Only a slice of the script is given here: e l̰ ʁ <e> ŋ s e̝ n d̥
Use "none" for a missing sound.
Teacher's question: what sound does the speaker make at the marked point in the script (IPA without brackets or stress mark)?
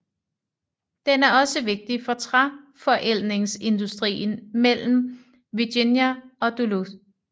e